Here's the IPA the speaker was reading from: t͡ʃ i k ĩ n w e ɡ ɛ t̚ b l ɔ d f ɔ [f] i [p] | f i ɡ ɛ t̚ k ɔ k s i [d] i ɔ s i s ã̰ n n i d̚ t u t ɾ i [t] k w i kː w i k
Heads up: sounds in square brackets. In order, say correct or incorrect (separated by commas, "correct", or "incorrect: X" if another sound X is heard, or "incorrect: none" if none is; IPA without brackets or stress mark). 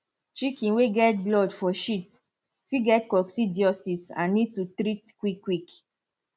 incorrect: ʃ, incorrect: t, correct, correct